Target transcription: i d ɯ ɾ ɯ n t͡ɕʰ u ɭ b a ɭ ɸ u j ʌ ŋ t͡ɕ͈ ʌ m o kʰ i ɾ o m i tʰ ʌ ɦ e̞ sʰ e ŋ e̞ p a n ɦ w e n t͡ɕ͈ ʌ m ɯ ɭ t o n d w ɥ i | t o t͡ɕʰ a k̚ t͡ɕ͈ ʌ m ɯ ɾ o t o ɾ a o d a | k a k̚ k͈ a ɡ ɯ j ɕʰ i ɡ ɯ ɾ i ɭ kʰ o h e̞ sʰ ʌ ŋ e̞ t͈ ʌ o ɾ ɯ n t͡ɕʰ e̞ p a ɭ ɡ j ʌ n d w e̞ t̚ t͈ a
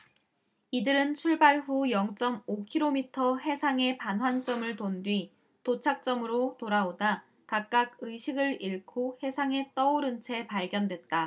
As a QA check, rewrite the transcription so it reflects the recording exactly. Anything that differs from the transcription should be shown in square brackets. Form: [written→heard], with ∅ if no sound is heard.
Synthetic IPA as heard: i d ɯ ɾ ɯ n t͡ɕʰ u ɭ b a ɭ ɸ u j ʌ ŋ t͡ɕ͈ ʌ m o kʰ i ɾ o m i tʰ ʌ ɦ e̞ sʰ [e→a] ŋ e̞ p a n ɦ w [e→a] n t͡ɕ͈ ʌ m ɯ ɭ t o n d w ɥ i | t o t͡ɕʰ a k̚ t͡ɕ͈ ʌ m ɯ ɾ o t o ɾ a o d a | k a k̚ k͈ a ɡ ɯ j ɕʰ i ɡ ɯ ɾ i ɭ kʰ o h e̞ sʰ [ʌ→a] ŋ e̞ t͈ ʌ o ɾ ɯ n t͡ɕʰ e̞ p a ɭ ɡ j ʌ n d w e̞ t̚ t͈ a